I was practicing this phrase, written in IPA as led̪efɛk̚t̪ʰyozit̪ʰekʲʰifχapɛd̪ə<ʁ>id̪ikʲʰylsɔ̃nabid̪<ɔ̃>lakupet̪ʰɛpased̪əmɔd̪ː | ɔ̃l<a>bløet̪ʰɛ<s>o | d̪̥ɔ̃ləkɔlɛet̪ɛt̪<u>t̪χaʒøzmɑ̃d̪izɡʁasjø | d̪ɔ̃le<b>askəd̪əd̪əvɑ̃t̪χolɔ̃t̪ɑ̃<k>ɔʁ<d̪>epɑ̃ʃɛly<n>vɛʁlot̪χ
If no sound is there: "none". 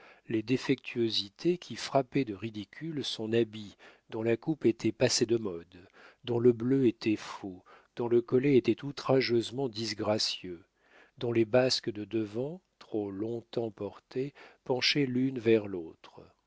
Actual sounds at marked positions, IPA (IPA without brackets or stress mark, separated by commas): ʁ, ɔ̃, ə, f, u, b, p, t̪, n